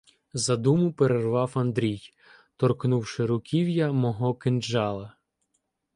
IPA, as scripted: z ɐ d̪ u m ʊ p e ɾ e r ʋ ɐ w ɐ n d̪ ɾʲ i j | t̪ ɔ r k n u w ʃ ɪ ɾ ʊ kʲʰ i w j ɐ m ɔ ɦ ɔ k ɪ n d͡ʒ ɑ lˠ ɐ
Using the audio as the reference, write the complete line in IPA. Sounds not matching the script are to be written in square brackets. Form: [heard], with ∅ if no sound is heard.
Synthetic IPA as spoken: z ɐ d̪ u m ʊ p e ɾ e r ʋ [ɑ] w ɐ n d̪ ɾʲ i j | t̪ ɔ r k n u w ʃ ɪ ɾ ʊ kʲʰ i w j ɐ m ɔ ɦ ɔ k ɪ n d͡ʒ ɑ lˠ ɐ

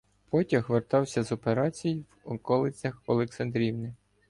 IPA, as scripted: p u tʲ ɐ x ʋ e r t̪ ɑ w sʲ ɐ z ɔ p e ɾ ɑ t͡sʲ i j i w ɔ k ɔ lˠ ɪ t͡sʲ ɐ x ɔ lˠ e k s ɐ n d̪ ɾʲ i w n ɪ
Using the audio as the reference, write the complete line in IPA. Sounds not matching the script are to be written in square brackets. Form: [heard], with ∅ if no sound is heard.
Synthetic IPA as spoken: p [ɔ] tʲ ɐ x ʋ e r t̪ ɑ w sʲ ɐ z ɔ p e ɾ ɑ t͡sʲ i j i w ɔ k ɔ lˠ ɪ t͡sʲ ɐ x ɔ lˠ e k s ɐ n d̪ ɾʲ i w n ɪ

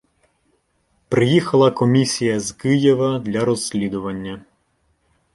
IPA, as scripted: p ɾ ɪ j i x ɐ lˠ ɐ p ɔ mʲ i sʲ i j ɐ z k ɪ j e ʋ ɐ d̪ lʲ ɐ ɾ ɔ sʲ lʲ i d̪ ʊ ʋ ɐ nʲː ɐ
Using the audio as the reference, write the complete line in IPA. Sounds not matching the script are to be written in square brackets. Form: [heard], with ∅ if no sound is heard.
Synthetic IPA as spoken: p ɾ ɪ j i x ɐ lˠ ɐ [k] ɔ mʲ i sʲ i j ɐ z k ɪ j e ʋ ɐ d̪ lʲ ɐ ɾ ɔ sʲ lʲ i d̪ ʊ ʋ ɐ nʲː ɐ

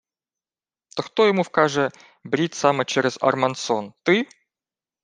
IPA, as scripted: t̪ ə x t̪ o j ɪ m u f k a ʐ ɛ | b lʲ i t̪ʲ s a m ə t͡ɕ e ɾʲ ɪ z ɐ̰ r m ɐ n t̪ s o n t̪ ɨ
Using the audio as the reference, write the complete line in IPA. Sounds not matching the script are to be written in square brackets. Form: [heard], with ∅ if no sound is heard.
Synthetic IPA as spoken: t̪ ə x t̪ o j ɪ m u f k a ʐ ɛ | b [ɾʲ] i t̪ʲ s a m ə t͡ɕ e ɾʲ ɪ z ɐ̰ r m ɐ n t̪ s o n t̪ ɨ

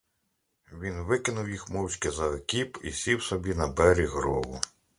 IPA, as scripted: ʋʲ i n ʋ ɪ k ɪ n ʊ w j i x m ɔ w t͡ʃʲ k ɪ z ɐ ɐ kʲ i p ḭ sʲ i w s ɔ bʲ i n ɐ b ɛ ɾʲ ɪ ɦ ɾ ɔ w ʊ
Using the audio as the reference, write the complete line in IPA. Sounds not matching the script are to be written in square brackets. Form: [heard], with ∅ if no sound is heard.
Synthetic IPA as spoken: ʋʲ i n ʋ ɪ k ɪ n ʊ w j i x m ɔ w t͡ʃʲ k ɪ z ɐ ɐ kʲ i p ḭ sʲ i w s ɔ bʲ i n ɐ b ɛ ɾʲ [i] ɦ ɾ ɔ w ʊ

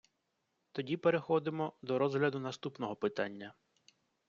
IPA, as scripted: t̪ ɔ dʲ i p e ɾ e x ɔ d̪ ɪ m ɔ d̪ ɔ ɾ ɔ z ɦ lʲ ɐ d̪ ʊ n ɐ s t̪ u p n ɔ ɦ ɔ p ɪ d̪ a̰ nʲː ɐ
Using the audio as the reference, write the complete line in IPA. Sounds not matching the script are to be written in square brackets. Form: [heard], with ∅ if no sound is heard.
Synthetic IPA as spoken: t̪ ɔ dʲ i p e ɾ e x ɔ d̪ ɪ m ɔ d̪ ɔ ɾ ɔ z ɦ lʲ ɐ d̪ ʊ n ɐ s t̪ u p n ɔ ɦ ɔ p ɪ [t̪] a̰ nʲː ɐ

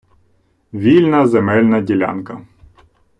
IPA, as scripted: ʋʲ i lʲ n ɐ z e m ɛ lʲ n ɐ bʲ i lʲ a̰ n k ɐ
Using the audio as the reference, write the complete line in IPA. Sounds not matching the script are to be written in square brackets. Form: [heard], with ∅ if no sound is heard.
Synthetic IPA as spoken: ʋʲ i lʲ n ɐ z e m ɛ lʲ n ɐ [dʲ] i lʲ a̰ n k ɐ

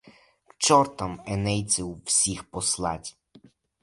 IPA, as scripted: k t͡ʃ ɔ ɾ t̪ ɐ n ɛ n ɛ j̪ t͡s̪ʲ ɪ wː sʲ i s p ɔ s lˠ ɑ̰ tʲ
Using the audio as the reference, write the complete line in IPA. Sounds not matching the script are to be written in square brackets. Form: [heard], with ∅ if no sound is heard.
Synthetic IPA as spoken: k t͡ʃ ɔ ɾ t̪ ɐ [m] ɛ n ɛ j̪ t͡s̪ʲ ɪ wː sʲ i [x] p ɔ s lˠ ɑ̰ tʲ

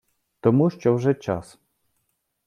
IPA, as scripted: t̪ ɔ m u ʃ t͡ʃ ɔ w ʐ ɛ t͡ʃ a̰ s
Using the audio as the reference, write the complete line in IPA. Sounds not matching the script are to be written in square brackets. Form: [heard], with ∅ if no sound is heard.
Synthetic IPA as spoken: t̪ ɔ m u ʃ t͡ʃ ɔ w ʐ ɛ t͡ʃ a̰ s

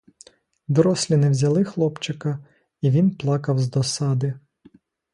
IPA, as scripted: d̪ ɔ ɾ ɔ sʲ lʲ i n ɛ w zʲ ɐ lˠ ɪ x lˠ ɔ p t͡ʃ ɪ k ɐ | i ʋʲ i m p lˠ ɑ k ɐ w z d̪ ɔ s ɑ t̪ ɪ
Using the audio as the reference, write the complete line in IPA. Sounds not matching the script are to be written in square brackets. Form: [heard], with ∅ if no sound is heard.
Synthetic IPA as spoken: d̪ ɔ ɾ ɔ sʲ lʲ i n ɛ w zʲ ɐ lˠ ɪ x lˠ ɔ p t͡ʃ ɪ k ɐ | i ʋʲ i [n] p lˠ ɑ k ɐ w z d̪ ɔ s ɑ [d̪] ɪ

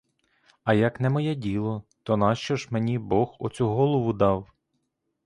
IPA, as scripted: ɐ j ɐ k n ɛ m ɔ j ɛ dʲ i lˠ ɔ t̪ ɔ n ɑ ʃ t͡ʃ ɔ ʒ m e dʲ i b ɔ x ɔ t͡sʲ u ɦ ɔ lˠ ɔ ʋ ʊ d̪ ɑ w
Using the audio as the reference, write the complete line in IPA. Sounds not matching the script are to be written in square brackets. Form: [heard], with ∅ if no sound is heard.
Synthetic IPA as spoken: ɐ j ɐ k n ɛ m ɔ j ɛ dʲ i lˠ ɔ t̪ ɔ n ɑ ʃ t͡ʃ ɔ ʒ m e [nʲ] i b ɔ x ɔ t͡sʲ u ɦ ɔ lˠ ɔ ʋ ʊ d̪ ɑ w

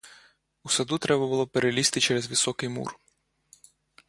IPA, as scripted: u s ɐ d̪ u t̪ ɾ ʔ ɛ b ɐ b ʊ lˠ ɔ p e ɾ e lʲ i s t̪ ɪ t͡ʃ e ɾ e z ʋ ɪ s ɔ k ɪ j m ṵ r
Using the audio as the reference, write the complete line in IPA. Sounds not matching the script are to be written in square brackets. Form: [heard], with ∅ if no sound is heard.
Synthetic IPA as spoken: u s ɐ d̪ u t̪ ɾ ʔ ɛ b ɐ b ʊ lˠ ɔ p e ɾ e lʲ i s t̪ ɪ t͡ʃ [ɛ] ɾ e z ʋ ɪ s ɔ k ɪ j m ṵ r

